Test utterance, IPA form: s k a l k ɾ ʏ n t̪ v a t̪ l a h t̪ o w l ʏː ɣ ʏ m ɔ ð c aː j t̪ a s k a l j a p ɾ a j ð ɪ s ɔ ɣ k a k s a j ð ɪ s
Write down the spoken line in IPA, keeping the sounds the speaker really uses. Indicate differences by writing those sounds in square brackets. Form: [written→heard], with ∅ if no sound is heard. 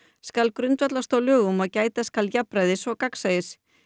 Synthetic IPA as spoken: s k a l k ɾ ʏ n t̪ v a t̪ l a [h→s] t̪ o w l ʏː ɣ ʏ m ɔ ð c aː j t̪ a s k a l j a p ɾ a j ð ɪ s ɔ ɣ k a k s a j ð ɪ s